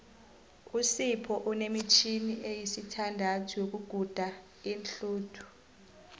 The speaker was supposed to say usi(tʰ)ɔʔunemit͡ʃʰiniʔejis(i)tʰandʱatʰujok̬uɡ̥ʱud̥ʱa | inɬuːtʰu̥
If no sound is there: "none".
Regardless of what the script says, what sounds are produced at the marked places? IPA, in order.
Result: pʰ, i

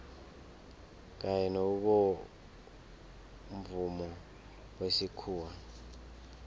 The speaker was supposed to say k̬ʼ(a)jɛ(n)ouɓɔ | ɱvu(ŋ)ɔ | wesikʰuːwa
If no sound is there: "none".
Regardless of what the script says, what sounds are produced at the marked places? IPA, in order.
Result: a, n, m

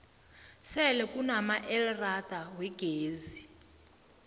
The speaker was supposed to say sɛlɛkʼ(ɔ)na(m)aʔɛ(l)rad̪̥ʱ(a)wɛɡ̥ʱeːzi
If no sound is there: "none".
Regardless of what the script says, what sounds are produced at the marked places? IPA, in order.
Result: u, m, l, a

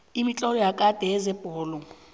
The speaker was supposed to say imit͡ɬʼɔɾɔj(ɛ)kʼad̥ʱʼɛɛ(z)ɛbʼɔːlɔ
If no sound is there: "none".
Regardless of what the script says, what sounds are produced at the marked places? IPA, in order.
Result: a, z

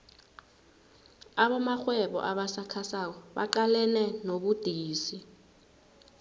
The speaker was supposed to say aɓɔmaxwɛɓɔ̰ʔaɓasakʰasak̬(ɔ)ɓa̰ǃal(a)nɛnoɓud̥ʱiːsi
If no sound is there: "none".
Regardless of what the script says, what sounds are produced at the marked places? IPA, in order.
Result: ɔ, ɛ

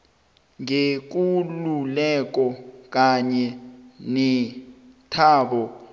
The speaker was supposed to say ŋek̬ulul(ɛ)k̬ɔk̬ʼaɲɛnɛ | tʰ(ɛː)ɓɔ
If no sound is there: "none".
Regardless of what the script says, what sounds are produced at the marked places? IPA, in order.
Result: ɛ, aː

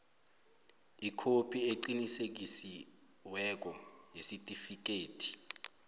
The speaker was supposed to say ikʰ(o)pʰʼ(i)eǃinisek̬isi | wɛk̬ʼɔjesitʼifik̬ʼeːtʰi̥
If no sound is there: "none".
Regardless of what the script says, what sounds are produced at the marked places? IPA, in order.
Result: o, i

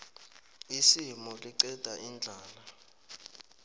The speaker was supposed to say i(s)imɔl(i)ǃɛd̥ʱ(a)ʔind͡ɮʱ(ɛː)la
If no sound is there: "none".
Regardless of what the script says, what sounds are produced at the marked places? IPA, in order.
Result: s, i, a, aː

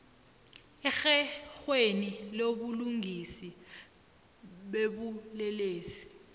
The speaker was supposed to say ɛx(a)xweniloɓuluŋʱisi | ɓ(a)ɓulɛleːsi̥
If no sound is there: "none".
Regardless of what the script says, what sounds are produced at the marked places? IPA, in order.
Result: ɛ, e

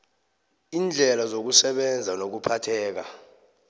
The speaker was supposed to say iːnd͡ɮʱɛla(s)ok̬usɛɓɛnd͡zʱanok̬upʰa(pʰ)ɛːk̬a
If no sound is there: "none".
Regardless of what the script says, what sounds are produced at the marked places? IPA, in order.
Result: z, tʰ

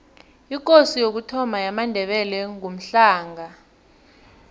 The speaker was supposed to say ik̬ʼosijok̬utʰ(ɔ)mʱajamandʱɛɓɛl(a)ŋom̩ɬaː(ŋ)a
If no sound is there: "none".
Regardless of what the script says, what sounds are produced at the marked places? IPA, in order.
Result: ɔ, ɛ, ŋ

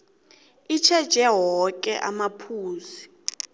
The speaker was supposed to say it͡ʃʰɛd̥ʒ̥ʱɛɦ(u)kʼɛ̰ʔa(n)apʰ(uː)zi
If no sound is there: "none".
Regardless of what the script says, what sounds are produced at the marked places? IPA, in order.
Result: ɔ, m, uː

